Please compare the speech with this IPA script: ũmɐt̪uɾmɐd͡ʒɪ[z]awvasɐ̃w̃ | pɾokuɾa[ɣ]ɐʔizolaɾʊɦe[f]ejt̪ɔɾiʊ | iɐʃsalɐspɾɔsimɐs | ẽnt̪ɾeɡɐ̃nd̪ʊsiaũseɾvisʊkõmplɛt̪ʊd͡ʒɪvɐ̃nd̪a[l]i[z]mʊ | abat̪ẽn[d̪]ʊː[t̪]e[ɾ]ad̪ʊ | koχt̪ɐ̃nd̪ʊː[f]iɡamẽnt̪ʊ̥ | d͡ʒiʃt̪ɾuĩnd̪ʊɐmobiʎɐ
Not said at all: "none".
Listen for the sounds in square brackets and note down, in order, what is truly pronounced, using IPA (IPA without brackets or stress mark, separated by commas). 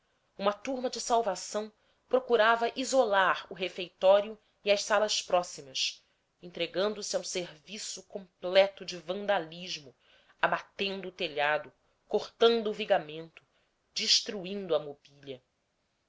s, v, f, l, ʒ, d̪, t̪, ʎ, v